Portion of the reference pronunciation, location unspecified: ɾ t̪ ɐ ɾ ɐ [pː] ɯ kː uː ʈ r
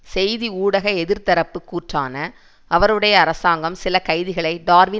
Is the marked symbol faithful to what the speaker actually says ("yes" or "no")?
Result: yes